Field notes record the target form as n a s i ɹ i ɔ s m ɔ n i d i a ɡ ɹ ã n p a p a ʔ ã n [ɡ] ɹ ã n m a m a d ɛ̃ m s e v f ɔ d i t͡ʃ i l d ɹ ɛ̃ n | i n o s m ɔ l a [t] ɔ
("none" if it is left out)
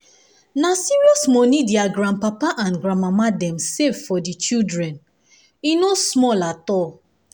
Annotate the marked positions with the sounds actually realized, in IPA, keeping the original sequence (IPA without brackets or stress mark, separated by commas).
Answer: ɡ, t